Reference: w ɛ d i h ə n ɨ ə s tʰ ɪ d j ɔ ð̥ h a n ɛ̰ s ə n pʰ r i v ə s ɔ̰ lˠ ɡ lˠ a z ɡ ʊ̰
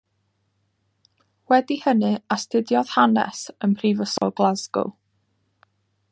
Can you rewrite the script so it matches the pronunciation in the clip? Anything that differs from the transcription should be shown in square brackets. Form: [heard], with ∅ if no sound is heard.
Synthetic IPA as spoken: w ɛ d i h ə n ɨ [a] s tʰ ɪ d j ɔ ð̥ h a n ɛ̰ s ə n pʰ r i v ə s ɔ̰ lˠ ɡ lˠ a z ɡ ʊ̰